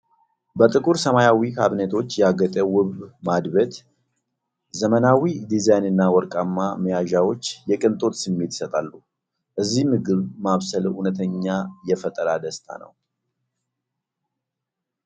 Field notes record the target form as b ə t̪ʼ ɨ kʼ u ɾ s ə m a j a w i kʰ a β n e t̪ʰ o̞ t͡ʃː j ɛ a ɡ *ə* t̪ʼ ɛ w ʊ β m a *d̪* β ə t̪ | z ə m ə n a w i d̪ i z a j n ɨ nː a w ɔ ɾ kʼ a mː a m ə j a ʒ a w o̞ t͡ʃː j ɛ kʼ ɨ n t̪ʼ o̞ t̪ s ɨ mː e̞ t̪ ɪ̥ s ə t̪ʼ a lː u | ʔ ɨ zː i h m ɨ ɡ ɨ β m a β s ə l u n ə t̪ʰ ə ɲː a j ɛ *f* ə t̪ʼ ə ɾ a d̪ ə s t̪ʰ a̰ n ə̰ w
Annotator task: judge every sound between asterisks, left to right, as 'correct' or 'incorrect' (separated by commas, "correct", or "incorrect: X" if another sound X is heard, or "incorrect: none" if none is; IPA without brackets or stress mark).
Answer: correct, correct, correct